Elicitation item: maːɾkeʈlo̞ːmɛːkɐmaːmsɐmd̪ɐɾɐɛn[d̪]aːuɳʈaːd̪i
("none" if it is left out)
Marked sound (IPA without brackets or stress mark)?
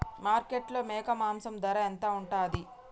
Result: t̪